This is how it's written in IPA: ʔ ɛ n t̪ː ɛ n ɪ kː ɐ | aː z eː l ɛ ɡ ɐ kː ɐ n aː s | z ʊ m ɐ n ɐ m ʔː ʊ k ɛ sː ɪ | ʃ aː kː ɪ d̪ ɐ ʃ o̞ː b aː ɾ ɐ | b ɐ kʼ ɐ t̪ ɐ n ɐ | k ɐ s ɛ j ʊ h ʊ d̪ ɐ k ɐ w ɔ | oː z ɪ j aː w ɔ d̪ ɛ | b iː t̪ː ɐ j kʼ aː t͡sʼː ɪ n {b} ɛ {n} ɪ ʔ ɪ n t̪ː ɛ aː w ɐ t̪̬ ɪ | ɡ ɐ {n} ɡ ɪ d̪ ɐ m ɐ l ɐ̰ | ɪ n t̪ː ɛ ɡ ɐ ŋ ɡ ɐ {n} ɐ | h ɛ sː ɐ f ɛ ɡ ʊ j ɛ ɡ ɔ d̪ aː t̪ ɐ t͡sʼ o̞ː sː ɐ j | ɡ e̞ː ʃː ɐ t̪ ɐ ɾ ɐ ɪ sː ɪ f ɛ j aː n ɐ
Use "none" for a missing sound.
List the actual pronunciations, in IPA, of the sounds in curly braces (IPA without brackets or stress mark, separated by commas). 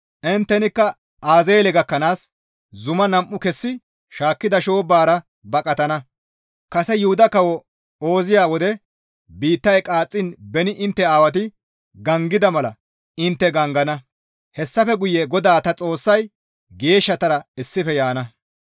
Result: b, n, ŋ, n